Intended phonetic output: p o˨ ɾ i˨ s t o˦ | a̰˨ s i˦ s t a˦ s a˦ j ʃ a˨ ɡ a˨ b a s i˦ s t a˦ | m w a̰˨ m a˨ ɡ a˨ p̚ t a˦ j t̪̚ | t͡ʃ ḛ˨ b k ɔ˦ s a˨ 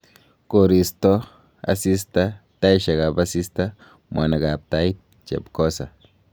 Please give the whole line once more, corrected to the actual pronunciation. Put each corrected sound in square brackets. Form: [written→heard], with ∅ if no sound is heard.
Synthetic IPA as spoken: [p→k] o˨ ɾ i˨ s t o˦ | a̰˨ s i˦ s t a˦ [s→t] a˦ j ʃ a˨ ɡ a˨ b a s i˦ s t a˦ | m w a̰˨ [m→n] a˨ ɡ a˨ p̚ t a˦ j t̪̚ | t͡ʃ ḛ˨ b k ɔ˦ s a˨